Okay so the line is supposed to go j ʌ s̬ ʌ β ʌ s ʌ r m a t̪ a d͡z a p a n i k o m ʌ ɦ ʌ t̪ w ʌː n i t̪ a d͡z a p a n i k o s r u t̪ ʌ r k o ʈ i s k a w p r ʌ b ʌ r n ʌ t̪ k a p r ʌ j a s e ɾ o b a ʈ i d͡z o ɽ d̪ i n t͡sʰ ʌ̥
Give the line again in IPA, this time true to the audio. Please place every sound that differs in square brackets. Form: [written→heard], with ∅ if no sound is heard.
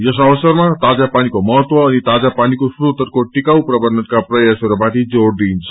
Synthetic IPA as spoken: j ʌ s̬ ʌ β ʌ s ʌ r m a t̪ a d͡z a p a n i k o m ʌ ɦ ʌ t̪ w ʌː n i t̪ a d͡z a p a n i k o s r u t̪ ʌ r k o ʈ i [s→∅] k a w p r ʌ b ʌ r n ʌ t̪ k a p r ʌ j a s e ɾ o b a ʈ i d͡z o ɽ d̪ i n t͡sʰ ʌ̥